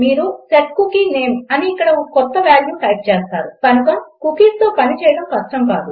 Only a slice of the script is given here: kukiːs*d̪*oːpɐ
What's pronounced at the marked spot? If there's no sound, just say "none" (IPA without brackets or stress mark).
t̪